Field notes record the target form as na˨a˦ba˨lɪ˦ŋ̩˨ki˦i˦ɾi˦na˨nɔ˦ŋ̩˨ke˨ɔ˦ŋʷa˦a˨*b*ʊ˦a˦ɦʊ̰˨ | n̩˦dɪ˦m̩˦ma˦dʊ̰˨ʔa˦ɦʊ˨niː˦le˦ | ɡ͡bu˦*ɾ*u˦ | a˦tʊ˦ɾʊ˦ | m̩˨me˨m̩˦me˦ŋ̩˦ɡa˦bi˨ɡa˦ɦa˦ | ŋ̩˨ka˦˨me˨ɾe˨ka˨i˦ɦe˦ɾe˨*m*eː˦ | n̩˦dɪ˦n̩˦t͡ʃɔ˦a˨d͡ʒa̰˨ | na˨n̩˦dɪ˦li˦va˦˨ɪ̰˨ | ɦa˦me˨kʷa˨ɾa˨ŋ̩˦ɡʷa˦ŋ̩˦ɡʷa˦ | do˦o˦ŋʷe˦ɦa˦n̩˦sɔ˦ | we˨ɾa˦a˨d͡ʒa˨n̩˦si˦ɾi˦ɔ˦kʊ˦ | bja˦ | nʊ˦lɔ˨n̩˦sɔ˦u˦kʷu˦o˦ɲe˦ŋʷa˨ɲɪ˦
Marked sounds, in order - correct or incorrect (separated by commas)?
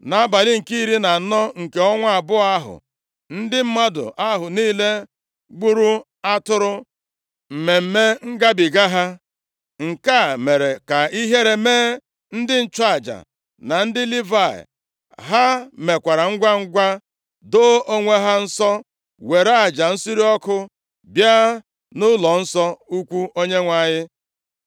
correct, correct, correct